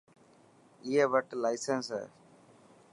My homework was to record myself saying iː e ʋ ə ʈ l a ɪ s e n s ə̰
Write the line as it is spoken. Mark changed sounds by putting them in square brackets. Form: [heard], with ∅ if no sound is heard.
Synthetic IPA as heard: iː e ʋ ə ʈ l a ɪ s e n s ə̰